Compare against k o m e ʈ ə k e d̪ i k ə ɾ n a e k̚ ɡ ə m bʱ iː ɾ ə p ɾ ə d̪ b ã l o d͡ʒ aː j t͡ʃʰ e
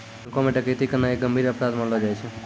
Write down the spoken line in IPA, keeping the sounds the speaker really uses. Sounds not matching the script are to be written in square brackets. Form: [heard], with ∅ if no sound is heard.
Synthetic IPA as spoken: k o m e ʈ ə k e [t̪] i k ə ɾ n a e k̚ ɡ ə m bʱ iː ɾ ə p ɾ [a] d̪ [m] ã l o d͡ʒ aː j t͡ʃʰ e